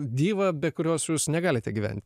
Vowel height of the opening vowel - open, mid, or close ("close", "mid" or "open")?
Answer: close